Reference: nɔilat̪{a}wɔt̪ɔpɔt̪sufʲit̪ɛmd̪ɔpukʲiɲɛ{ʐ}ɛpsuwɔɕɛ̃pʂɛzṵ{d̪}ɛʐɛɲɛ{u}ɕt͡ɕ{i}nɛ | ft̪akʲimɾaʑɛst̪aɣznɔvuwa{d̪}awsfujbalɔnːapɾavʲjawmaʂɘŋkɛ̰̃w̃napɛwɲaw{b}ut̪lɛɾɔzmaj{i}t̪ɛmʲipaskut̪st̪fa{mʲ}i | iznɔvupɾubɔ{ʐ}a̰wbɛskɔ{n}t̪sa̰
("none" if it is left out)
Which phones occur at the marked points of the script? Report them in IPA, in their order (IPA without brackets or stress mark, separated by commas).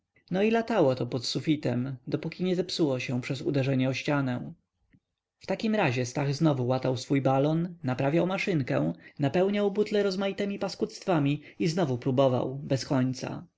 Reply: a, z, d̪, ɔ, a, t̪, b, i, mʲ, v, ɲ